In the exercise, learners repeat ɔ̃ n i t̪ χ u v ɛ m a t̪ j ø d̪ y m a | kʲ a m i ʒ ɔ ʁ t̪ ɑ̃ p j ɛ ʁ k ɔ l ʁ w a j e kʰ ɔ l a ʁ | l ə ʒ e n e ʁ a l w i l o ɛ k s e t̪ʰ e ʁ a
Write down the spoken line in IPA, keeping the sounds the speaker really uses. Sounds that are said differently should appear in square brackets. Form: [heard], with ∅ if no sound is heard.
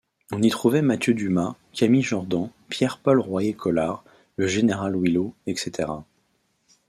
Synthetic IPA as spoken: ɔ̃ n i t̪ χ u v ɛ m a t̪ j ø d̪ y m a | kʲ a m i ʒ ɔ ʁ [d̪] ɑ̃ p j ɛ ʁ [p] ɔ l ʁ w a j e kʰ ɔ l a ʁ | l ə ʒ e n e ʁ a l w i l o ɛ k s e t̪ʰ e ʁ a